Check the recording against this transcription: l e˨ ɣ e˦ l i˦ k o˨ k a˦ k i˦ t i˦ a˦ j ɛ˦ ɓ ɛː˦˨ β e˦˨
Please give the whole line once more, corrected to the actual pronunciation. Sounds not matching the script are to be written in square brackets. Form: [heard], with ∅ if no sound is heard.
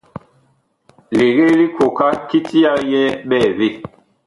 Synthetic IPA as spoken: l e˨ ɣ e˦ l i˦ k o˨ k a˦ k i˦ t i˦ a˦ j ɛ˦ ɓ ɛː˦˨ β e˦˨